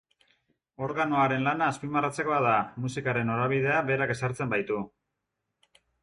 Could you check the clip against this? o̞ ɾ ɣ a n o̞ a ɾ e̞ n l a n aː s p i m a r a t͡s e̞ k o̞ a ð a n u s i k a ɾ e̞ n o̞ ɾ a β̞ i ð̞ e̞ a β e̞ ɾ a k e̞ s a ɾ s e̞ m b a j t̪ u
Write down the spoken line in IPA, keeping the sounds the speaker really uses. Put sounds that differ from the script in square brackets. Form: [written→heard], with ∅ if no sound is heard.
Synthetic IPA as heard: o̞ ɾ ɣ a n o̞ a ɾ e̞ n l a n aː s p i m a r a t͡s e̞ k o̞ a ð a [n→m] u s i k a ɾ e̞ n o̞ ɾ a β̞ i ð̞ e̞ a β e̞ ɾ a k e̞ s a ɾ [s→t͡s] e̞ m b a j t̪ u

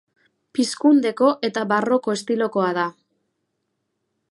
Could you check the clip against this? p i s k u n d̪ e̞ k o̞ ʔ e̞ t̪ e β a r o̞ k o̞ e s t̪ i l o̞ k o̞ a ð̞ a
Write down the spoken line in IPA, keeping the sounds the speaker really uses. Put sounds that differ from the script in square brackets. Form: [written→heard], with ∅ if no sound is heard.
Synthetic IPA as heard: p i s k u n d̪ e̞ k o̞ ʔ e̞ t̪ [e→a] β a r o̞ k o̞ e s t̪ i l o̞ k o̞ a ð̞ a

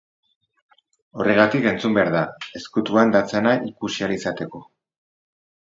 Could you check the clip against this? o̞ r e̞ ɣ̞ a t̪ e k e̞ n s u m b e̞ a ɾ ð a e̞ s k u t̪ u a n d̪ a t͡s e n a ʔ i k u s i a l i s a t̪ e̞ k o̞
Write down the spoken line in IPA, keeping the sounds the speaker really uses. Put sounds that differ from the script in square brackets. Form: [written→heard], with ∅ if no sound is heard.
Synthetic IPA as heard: o̞ r e̞ ɣ̞ a t̪ [e→i] k e̞ n [s→t͡s] u m b e̞ a ɾ ð a e̞ s k u t̪ u a n d̪ a t͡s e n a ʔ i k u s i a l i s a t̪ e̞ k o̞

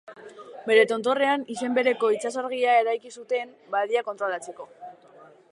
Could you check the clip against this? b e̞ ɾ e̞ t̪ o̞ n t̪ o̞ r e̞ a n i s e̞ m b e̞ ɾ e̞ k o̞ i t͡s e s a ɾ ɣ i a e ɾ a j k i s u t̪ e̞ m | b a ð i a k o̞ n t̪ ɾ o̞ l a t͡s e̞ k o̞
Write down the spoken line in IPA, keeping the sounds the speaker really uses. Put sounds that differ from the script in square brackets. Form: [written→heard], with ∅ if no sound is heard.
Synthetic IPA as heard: b e̞ ɾ e̞ t̪ o̞ n t̪ o̞ r e̞ a n i s e̞ m b e̞ ɾ e̞ k o̞ i t͡s [e→a] s a ɾ ɣ i a e ɾ a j k i s u t̪ e̞ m | b a ð i a k o̞ n t̪ ɾ o̞ l a t͡s e̞ k o̞

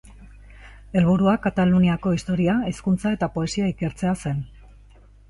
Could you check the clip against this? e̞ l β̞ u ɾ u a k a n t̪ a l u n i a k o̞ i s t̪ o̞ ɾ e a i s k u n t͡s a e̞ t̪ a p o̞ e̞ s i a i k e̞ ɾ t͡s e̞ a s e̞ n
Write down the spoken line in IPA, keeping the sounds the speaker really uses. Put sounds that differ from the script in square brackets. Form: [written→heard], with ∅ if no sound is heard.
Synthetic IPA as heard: e̞ l β̞ u ɾ u a k a [n→∅] t̪ a l u n i a k o̞ i s t̪ o̞ ɾ [e→i] a i s k u n t͡s a e̞ t̪ a p o̞ e̞ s i a i k e̞ ɾ t͡s e̞ a s e̞ n

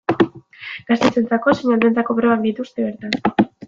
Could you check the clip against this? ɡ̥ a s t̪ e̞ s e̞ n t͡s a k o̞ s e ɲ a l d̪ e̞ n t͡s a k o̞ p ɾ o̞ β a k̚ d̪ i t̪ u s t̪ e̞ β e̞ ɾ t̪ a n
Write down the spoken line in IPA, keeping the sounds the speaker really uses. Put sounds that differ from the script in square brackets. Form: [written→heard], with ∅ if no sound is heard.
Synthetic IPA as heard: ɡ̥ a s t̪ e̞ [s→t͡s] e̞ n t͡s a k o̞ s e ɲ a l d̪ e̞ n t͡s a k o̞ p ɾ o̞ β a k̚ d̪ i t̪ u s t̪ e̞ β e̞ ɾ t̪ a n

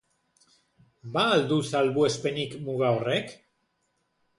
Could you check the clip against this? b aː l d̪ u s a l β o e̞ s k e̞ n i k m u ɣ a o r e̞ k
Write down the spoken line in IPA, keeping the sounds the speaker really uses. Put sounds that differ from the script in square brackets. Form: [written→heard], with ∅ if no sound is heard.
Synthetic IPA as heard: b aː l d̪ u s a l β [o→u] e̞ s [k→p] e̞ n i k m u ɣ a o r e̞ k

